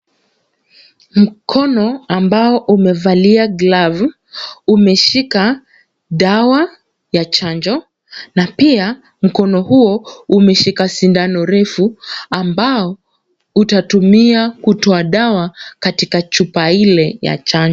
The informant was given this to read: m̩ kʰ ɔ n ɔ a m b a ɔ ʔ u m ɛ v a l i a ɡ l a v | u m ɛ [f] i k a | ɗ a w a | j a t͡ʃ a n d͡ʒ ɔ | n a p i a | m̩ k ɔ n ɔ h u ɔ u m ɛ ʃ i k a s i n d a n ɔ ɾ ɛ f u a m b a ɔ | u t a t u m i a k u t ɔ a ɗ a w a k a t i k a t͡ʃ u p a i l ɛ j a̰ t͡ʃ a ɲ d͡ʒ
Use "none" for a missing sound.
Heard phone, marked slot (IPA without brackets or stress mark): ʃ